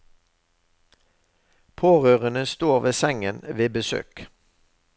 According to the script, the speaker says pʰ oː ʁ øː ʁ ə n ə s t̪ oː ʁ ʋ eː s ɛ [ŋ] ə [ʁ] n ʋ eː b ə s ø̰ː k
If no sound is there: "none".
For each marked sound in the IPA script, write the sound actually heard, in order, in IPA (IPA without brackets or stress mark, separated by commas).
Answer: ŋ, none